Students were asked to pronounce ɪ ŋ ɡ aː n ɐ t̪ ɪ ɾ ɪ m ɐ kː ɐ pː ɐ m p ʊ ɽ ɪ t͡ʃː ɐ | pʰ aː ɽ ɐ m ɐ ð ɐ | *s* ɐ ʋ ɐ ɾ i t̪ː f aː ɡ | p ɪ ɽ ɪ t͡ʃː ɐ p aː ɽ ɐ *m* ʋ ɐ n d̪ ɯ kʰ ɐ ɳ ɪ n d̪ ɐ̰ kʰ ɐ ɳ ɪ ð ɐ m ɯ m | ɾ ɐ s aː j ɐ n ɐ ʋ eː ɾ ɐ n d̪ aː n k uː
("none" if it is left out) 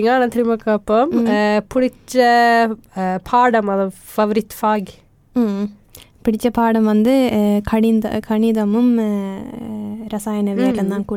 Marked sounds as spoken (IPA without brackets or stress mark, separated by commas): f, m